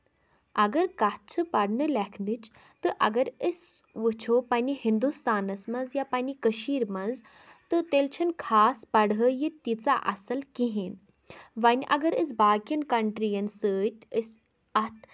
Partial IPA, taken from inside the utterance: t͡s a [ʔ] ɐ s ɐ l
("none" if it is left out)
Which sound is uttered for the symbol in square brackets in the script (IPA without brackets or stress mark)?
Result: ʔ